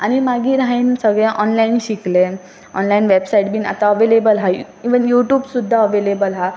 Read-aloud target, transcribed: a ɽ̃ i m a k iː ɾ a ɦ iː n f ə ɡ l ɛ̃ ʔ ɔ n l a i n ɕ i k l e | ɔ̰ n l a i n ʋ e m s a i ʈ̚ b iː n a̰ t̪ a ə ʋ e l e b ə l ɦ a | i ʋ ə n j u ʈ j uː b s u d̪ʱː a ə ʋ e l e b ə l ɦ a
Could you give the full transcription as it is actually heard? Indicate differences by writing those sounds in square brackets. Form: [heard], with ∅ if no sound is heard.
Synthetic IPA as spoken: a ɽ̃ i m a [ɡ] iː ɾ a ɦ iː n [s] ə ɡ [ɭ] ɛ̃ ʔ ɔ n l a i n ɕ i k l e | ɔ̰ n l a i n ʋ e [b] s a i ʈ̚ b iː n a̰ t̪ a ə ʋ e l e b ə l ɦ a | i ʋ ə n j u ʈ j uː b s u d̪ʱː a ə ʋ e l e b ə l ɦ a